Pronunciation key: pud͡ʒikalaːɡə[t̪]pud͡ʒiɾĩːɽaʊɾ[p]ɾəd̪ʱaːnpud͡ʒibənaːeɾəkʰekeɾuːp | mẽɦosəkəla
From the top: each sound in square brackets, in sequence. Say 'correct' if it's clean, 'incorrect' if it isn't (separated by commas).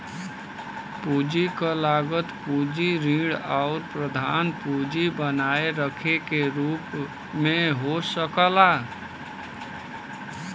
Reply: correct, correct